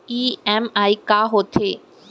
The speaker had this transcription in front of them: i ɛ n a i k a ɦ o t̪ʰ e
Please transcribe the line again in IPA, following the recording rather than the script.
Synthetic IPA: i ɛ m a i k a ɦ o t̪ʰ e